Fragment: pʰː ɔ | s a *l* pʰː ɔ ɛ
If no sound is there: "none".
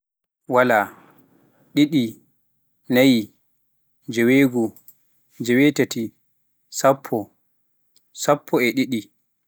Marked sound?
none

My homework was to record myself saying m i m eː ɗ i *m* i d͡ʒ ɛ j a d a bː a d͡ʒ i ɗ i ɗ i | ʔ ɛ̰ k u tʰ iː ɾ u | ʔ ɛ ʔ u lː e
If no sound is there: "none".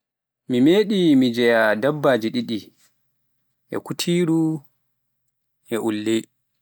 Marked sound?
m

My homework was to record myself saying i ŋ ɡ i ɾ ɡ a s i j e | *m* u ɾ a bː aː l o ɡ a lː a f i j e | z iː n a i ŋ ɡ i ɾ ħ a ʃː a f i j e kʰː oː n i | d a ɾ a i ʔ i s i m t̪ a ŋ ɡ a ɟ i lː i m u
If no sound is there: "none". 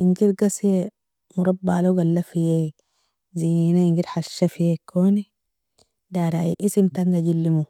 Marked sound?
m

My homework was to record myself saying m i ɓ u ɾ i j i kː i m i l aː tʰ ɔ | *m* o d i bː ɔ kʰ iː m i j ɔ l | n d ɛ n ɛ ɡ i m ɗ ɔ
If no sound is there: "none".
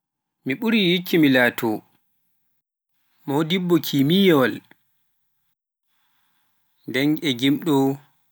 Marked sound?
m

